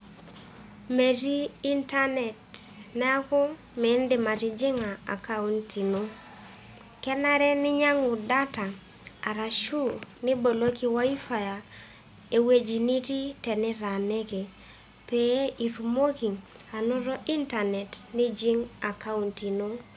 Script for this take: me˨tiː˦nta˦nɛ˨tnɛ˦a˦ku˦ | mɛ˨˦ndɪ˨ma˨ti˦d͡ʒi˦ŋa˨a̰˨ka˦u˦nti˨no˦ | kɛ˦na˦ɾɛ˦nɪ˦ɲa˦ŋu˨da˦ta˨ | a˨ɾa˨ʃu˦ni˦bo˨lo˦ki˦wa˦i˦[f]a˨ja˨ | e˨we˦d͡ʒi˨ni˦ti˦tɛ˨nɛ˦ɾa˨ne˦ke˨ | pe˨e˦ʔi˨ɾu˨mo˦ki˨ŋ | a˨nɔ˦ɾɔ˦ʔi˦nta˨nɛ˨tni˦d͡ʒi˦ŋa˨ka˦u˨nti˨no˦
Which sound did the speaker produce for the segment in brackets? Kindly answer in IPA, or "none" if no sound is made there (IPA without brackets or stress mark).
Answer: f